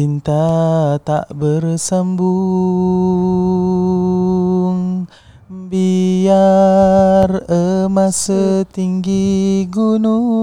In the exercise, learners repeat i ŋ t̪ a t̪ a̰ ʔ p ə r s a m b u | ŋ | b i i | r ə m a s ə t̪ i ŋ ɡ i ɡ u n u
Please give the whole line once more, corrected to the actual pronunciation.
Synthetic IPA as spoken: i n t̪ a t̪ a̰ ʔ b ə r s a m b u | ŋ | b i a | r ə m a s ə t̪ i ŋ ɡ i ɡ u n u